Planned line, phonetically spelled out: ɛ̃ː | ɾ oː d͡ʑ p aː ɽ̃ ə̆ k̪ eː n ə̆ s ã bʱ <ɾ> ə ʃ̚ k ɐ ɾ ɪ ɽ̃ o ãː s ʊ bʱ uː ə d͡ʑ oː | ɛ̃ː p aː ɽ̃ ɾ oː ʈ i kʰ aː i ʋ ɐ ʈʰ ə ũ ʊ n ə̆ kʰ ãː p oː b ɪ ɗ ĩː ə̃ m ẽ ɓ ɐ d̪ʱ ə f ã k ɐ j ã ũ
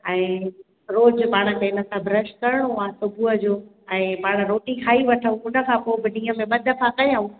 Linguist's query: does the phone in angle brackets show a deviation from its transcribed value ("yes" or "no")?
no